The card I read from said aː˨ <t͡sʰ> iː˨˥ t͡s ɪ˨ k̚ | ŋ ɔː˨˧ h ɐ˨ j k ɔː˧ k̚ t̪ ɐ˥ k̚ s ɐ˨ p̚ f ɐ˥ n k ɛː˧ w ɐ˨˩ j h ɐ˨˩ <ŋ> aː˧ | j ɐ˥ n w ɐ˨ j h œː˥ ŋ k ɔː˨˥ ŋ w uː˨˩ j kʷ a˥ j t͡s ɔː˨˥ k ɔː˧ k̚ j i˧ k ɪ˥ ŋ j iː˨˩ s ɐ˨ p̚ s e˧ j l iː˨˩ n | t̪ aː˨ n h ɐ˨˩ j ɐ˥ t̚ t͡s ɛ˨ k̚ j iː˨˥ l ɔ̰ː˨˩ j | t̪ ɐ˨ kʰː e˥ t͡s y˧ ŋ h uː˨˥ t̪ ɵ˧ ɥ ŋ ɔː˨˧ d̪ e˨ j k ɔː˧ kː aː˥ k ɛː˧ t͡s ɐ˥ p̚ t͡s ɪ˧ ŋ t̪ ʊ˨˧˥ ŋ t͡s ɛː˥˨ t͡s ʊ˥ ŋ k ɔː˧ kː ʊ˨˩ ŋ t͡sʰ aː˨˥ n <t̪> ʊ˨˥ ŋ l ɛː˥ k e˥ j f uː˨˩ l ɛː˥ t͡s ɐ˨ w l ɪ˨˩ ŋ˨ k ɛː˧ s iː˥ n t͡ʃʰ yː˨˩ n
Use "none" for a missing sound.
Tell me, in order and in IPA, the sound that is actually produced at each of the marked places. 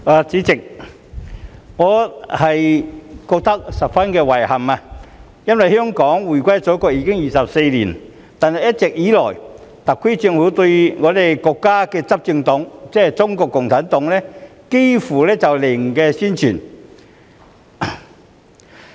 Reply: t͡s, m, t̪

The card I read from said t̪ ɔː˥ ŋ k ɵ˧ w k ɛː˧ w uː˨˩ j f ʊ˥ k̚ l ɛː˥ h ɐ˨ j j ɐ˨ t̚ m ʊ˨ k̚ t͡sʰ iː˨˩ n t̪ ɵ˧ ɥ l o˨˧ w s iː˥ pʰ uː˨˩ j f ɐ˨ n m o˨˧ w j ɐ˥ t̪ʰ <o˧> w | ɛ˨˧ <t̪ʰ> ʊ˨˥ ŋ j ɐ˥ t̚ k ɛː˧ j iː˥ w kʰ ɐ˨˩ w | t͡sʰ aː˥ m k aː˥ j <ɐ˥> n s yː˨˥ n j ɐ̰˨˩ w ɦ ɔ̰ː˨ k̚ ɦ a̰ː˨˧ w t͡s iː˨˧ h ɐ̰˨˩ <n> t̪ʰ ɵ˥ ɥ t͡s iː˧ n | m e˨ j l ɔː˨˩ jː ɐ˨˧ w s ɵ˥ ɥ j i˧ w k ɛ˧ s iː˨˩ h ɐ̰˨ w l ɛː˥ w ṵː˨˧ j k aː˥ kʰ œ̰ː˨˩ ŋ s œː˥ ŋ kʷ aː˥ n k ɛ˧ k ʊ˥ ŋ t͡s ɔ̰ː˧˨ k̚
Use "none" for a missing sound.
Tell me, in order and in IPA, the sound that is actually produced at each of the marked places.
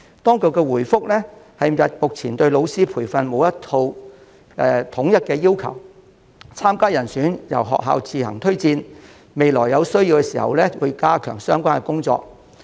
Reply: o˧, t̪ʰ, ɐ˨˩, ŋ

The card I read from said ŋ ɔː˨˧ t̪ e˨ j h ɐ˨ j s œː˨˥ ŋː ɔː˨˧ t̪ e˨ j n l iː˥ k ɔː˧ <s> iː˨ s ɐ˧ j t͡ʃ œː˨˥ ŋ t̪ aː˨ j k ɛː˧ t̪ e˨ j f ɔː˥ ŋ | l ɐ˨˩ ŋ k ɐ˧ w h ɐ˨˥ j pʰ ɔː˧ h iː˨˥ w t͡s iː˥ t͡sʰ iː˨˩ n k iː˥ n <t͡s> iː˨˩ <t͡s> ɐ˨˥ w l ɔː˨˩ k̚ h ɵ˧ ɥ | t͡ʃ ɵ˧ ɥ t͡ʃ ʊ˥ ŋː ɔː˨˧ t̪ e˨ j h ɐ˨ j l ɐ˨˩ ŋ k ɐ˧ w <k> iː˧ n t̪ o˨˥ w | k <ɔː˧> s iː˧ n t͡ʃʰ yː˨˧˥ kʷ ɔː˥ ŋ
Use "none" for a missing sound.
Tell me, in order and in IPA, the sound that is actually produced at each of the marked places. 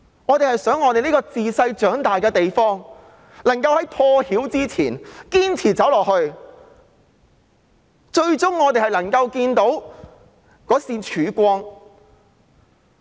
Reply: t͡s, t͡sʰ, t͡s, k, ɔː˨˥

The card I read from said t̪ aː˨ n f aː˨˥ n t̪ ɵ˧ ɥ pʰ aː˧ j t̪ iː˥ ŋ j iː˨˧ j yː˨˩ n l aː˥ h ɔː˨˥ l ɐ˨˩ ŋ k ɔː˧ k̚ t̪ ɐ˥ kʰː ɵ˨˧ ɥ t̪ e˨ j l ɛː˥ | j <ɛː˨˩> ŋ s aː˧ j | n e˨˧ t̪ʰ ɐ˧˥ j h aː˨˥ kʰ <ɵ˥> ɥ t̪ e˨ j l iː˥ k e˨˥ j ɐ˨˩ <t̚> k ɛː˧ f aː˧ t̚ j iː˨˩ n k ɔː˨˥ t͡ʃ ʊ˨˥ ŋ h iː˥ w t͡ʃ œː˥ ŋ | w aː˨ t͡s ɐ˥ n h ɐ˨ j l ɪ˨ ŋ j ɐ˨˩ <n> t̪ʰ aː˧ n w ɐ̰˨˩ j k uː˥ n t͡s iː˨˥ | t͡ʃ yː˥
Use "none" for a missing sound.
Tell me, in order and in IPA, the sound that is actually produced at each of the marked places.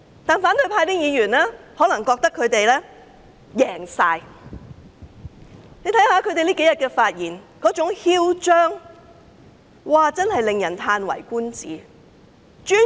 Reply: ɛː˨˩, ɵ˨˧, t̚, n

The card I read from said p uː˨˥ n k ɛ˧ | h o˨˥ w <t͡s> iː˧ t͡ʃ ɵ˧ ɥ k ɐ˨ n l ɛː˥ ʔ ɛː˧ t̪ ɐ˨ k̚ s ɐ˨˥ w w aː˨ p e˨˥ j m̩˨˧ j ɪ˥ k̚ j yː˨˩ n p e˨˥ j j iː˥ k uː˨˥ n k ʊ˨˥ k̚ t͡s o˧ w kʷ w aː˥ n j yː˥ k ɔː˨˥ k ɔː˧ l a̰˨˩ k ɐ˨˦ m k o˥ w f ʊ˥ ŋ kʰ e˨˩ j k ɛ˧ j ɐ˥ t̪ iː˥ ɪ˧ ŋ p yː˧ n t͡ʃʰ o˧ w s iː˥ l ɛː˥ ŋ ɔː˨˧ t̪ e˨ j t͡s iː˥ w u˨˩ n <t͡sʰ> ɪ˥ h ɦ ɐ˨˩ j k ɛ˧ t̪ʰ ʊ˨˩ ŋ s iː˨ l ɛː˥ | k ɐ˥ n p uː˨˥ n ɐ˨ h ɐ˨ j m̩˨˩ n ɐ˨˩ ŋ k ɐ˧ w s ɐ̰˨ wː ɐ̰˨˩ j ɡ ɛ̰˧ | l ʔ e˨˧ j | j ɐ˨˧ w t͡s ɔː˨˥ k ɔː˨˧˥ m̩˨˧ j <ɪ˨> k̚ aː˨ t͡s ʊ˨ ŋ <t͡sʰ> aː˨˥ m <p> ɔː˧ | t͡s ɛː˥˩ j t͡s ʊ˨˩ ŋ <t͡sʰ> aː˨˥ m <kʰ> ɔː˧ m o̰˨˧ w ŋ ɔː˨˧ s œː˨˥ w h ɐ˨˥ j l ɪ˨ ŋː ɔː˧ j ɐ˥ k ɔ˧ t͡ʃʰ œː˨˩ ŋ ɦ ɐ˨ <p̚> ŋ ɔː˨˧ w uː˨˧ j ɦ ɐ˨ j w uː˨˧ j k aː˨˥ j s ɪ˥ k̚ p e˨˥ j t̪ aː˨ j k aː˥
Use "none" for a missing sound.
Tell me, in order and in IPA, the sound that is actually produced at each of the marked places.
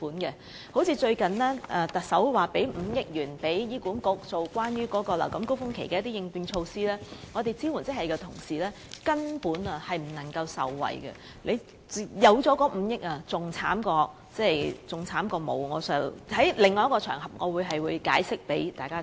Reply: t͡sʰ, t͡s, ɪ˥, t͡sʰ, k, t͡sʰ, k, p̚

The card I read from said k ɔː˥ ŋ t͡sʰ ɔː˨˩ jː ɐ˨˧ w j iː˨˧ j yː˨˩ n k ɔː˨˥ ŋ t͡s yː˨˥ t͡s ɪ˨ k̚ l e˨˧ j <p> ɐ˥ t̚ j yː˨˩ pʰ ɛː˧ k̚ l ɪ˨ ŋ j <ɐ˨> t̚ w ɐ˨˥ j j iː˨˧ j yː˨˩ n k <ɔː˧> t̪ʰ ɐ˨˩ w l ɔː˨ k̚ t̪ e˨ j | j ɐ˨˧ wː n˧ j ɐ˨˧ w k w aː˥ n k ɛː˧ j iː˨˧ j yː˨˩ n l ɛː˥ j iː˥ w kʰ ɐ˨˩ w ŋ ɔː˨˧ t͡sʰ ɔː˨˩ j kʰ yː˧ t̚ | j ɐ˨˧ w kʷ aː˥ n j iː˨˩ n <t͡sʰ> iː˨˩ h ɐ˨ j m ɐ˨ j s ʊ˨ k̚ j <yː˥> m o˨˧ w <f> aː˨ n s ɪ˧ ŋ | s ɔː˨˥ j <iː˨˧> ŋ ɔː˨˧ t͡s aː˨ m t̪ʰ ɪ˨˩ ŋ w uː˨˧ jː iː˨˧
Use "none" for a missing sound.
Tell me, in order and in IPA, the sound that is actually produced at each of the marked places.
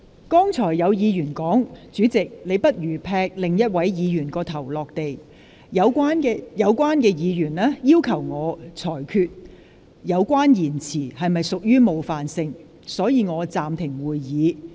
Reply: p, ɐ˥, ɔː˧, t͡sʰ, yː˥, f, iː˨˧

